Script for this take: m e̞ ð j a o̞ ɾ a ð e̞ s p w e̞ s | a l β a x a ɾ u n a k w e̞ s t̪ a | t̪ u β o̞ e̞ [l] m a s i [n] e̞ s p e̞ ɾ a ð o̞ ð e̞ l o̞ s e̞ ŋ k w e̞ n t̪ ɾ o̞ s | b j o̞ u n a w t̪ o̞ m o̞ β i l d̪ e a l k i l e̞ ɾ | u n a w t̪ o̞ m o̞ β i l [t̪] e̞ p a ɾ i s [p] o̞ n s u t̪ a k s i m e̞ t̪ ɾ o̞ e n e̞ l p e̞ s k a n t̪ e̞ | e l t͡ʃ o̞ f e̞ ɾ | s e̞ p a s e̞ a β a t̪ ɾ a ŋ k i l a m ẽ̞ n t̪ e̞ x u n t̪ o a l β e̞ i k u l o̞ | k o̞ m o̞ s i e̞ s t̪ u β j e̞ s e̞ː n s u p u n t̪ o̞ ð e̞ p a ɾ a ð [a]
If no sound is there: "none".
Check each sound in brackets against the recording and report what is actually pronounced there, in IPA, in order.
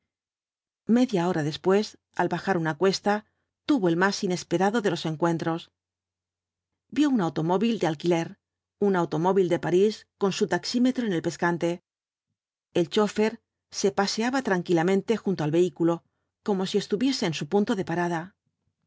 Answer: l, n, d̪, k, a

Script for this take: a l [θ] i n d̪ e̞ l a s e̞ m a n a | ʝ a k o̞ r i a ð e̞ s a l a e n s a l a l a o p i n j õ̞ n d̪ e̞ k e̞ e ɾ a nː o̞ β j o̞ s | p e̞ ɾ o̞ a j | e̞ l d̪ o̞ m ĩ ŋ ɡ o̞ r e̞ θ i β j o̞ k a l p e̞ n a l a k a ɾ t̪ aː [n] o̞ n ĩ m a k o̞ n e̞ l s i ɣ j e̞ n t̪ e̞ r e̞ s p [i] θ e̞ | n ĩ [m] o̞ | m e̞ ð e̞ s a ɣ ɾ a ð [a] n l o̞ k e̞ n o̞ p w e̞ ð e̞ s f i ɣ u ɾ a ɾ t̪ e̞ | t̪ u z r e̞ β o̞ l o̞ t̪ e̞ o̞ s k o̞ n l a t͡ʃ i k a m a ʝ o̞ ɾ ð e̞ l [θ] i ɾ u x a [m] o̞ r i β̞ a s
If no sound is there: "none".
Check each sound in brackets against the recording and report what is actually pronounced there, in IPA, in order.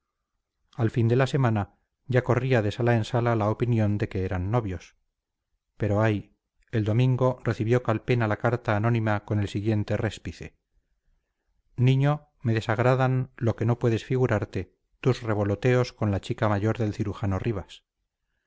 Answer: f, n, i, ɲ, a, θ, n

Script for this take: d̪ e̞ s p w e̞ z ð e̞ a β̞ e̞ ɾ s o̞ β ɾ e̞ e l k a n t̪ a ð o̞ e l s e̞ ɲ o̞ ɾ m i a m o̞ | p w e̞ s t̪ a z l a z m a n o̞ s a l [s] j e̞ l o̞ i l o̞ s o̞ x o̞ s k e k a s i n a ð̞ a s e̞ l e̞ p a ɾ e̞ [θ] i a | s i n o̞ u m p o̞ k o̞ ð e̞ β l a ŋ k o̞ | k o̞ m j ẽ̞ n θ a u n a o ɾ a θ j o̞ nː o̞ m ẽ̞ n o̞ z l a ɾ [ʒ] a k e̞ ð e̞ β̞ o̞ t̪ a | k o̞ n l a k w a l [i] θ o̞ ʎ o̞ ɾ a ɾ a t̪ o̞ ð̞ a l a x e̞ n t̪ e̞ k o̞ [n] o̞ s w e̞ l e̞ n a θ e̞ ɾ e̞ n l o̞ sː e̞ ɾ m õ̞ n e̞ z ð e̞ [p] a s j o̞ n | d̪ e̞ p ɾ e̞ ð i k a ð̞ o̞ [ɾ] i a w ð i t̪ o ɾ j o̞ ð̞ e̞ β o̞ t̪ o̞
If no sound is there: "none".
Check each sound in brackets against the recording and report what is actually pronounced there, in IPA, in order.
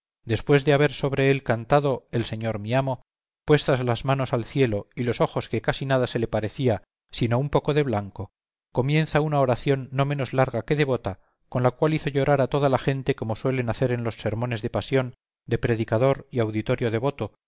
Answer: θ, θ, ɣ, i, m, p, ɾ

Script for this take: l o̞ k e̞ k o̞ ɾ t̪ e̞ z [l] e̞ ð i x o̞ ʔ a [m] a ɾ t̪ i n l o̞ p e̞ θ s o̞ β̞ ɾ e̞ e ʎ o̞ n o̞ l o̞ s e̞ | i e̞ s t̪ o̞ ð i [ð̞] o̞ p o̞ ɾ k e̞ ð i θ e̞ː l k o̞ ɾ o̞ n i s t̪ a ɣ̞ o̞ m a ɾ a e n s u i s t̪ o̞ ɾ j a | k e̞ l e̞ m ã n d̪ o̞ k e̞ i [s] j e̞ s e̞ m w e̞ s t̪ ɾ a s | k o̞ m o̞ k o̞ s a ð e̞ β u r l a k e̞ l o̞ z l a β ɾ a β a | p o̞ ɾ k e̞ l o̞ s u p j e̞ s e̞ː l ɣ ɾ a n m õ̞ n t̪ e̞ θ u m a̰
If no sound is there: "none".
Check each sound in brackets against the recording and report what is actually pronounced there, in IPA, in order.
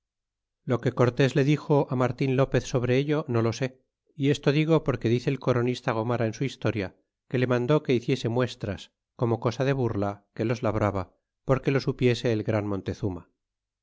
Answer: l, m, ɣ̞, θ

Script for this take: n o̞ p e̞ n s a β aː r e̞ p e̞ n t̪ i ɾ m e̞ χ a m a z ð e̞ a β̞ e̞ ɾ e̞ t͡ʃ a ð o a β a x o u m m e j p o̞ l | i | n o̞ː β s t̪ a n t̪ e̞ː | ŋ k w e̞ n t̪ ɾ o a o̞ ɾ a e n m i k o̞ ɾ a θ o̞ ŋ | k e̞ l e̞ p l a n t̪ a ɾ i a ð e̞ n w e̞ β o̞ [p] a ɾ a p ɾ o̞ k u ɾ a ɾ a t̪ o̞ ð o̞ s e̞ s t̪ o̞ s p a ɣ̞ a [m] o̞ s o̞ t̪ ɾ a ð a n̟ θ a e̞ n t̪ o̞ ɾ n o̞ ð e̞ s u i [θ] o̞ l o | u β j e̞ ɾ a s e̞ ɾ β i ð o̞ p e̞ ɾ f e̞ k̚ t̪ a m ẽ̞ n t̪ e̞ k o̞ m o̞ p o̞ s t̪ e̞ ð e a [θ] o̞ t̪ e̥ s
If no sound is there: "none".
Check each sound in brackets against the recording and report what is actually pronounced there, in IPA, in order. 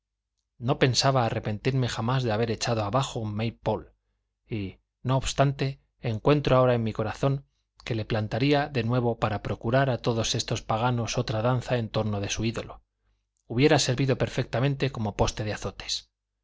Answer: p, n, ð, θ

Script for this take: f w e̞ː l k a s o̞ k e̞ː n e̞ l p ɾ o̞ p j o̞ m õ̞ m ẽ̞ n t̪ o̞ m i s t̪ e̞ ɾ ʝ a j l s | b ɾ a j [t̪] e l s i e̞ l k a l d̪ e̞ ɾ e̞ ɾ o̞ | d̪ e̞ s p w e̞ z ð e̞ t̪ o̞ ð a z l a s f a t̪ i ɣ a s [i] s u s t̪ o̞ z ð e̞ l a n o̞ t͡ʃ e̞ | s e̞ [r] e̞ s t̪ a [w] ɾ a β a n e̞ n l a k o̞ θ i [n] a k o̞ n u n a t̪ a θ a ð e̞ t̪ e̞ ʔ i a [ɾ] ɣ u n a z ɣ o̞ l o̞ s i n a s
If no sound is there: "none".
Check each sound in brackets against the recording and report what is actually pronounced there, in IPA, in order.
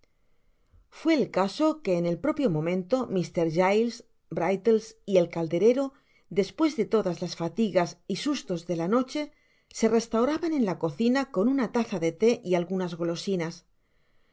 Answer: t̪, i, r, w, n, l

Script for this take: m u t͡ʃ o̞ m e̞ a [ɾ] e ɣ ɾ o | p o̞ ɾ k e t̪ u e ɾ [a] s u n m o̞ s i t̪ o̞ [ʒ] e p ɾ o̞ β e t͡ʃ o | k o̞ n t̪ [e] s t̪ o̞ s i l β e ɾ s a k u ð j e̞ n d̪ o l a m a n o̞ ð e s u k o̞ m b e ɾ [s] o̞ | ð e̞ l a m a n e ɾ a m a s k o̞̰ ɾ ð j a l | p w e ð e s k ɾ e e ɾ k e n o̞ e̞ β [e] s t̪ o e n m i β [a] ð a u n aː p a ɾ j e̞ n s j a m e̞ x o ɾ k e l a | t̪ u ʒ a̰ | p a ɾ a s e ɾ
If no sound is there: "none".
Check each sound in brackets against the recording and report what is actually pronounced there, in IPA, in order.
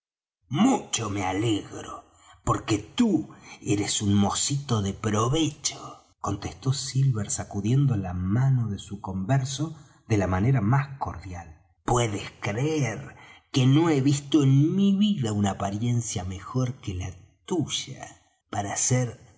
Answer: l, e, ð, e, s, i, i

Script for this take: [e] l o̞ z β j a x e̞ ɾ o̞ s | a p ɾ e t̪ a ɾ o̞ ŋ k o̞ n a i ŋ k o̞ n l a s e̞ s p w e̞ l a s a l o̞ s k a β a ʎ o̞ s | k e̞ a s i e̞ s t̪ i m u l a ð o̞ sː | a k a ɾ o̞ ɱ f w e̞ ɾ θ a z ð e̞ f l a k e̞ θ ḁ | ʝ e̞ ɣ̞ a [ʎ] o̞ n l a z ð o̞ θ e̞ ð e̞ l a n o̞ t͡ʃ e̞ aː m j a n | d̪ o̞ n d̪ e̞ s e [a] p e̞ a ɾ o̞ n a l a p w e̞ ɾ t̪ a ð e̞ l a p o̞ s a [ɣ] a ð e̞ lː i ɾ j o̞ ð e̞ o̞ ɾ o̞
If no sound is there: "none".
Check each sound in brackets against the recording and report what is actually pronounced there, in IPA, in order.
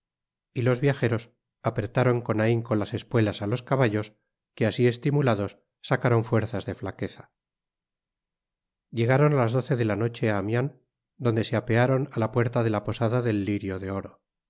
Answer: i, ɾ, a, ð

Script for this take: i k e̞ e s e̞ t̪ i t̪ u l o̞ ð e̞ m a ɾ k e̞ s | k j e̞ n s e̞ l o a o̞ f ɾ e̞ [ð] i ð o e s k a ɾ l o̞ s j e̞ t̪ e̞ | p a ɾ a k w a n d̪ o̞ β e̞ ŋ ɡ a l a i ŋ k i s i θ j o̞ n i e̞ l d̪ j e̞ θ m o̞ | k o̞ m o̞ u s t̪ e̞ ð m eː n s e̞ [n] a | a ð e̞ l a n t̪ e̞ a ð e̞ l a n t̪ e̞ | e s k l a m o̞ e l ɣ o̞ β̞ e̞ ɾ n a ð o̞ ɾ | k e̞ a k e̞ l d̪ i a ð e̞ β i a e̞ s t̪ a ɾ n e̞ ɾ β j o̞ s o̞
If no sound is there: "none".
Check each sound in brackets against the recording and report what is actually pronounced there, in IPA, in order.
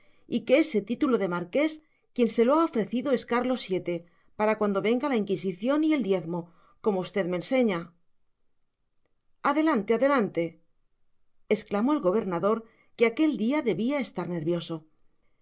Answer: θ, ɲ

